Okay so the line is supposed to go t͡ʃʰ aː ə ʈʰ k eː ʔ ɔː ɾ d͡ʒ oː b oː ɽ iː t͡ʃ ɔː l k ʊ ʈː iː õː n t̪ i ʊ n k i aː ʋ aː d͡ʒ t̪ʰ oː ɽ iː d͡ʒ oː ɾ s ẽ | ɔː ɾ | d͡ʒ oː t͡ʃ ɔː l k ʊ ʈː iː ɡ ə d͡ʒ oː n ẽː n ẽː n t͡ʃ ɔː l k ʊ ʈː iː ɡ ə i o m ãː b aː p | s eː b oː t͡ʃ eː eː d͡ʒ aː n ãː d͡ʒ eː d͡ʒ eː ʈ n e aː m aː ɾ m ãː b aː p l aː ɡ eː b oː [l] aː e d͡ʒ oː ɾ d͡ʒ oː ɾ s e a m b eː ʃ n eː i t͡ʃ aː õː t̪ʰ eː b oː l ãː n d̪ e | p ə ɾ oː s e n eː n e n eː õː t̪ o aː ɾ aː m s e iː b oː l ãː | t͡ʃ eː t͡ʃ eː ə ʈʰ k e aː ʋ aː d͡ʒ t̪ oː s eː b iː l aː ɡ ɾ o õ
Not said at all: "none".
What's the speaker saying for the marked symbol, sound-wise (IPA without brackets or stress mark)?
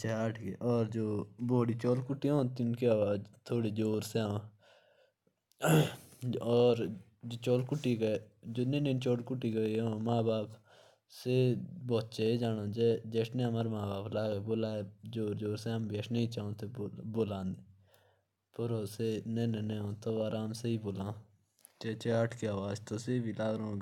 l